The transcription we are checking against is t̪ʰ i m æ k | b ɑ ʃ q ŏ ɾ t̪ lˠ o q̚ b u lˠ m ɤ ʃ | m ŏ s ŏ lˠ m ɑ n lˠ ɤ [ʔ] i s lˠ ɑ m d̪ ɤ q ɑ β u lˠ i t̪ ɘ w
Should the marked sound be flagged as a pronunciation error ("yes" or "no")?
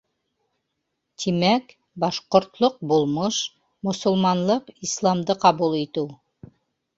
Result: yes